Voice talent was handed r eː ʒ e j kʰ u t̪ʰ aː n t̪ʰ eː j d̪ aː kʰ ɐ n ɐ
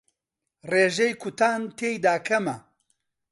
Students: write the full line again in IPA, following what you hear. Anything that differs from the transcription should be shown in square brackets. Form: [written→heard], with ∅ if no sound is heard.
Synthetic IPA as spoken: r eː ʒ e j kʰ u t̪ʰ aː n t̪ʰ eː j d̪ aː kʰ ɐ [n→m] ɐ